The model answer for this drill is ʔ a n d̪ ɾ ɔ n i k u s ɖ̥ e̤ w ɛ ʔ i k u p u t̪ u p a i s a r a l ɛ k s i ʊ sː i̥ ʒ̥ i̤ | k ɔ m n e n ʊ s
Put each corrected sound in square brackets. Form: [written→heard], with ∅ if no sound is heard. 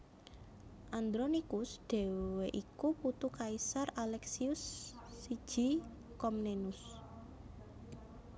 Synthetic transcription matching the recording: ʔ a n d̪ ɾ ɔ n i k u s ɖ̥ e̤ w [ɛ→e] ʔ i k u p u t̪ u [p→k] a i s a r a l ɛ k s i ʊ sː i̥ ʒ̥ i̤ | k ɔ m n e n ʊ s